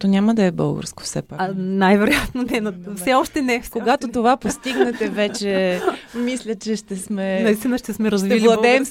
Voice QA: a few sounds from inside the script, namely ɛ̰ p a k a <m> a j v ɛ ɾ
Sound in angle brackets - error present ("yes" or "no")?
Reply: yes